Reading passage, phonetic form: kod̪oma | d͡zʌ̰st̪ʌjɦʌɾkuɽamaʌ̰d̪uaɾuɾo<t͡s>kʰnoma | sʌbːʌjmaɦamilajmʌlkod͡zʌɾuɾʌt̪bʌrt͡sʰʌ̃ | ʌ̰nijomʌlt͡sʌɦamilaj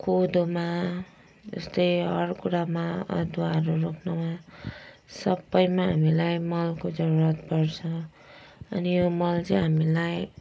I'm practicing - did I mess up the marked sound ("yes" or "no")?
yes